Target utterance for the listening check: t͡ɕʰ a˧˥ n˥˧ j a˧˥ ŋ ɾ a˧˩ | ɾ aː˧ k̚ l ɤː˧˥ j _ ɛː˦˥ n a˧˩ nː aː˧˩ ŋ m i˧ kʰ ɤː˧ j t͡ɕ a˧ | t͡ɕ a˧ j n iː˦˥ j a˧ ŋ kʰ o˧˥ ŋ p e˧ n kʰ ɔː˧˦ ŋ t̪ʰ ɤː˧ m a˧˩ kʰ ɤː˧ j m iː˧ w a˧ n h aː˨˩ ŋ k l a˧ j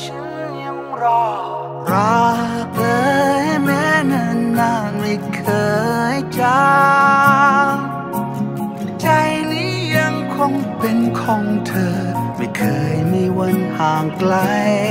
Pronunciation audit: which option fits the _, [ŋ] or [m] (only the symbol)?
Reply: m